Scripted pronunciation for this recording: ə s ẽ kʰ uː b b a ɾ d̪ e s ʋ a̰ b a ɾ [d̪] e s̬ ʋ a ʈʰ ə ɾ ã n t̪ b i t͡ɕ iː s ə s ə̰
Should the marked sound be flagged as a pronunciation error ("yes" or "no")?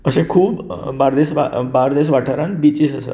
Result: no